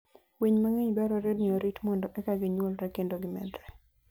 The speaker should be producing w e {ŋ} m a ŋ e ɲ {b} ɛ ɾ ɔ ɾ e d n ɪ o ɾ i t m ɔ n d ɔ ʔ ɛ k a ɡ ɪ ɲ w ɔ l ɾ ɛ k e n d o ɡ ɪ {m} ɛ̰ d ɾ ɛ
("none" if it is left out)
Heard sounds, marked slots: ɲ, b, m

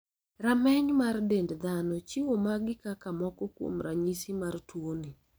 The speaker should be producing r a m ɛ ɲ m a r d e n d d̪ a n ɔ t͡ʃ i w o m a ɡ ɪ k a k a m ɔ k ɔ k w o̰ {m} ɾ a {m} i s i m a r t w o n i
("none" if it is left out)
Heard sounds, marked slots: m, ɲ

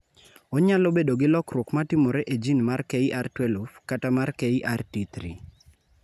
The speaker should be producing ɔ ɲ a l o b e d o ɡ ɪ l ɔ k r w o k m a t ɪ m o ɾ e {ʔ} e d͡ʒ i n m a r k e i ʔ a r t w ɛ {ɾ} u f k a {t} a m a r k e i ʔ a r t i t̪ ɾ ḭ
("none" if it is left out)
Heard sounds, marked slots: ʔ, l, t

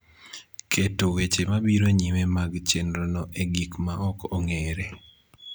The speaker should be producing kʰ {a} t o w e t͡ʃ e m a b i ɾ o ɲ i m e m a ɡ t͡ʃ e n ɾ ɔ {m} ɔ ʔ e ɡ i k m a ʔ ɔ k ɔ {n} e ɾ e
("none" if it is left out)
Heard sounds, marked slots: e, n, ŋ

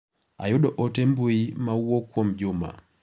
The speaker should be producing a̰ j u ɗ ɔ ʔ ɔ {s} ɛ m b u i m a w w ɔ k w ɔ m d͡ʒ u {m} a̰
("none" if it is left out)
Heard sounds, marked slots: t, m

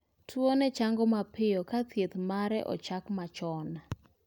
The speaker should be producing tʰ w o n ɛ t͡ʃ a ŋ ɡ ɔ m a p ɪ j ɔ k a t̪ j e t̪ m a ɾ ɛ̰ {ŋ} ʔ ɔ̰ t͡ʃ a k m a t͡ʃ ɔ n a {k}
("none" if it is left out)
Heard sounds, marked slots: none, none

